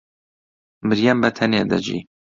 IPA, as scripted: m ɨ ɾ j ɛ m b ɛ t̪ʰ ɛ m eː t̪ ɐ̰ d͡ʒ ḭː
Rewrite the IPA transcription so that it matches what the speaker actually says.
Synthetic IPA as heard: m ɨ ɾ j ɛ m b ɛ t̪ʰ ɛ n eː d̪ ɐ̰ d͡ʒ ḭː